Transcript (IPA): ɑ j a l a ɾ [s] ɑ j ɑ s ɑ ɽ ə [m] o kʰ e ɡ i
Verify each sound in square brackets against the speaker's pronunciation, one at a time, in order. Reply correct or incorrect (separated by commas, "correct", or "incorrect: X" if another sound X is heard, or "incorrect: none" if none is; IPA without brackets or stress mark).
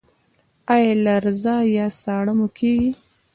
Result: incorrect: z, correct